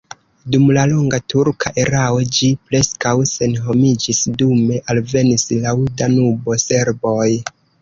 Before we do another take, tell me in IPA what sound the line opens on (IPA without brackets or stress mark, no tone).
d